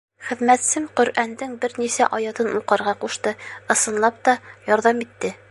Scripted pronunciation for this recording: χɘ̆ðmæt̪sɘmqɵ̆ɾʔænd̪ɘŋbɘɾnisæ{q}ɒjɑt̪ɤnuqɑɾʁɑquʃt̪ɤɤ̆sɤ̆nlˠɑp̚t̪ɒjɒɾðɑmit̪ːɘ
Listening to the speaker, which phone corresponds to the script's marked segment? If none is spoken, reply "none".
ʔ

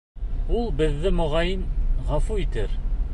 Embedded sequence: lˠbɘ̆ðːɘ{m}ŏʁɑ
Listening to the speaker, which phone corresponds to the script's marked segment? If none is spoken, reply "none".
m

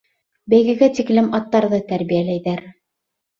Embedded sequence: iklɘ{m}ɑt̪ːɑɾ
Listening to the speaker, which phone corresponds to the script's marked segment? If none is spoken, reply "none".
m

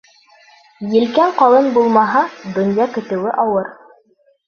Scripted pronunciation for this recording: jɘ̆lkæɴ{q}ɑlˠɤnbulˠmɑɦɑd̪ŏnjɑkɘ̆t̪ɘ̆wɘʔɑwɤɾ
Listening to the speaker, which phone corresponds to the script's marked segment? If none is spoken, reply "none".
q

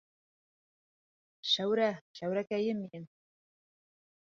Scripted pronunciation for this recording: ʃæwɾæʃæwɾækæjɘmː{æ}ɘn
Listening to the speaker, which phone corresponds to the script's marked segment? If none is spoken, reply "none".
i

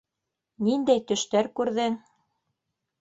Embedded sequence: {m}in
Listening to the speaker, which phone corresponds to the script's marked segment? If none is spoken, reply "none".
n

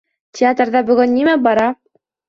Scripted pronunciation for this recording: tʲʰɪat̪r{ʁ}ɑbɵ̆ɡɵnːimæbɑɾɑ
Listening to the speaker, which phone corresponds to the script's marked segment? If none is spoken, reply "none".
ð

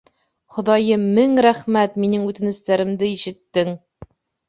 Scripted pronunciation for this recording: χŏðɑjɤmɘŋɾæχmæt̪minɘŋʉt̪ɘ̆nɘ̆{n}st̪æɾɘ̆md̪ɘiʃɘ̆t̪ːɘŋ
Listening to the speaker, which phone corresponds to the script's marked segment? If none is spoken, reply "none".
none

